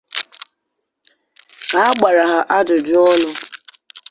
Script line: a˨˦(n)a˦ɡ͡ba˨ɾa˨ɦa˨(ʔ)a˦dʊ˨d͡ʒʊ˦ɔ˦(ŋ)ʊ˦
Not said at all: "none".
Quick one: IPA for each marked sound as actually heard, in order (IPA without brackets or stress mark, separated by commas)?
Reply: none, ʔ, n